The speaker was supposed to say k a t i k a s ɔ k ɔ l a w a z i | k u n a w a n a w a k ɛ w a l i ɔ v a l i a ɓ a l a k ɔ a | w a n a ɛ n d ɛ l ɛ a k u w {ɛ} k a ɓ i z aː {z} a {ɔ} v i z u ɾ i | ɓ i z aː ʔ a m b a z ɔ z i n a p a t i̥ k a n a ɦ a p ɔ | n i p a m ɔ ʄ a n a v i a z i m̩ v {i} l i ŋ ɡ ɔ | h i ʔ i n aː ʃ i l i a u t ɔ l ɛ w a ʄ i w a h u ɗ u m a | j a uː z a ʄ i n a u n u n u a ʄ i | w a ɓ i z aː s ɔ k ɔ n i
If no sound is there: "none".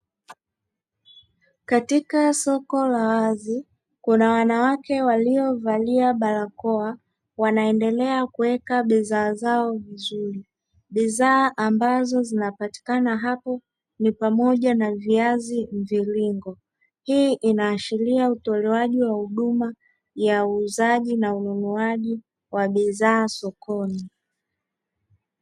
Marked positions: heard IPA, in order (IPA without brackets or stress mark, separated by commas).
ɛ, z, ɔ, i